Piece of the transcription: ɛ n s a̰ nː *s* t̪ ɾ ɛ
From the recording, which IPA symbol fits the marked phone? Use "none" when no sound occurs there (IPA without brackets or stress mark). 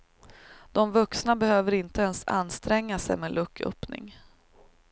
s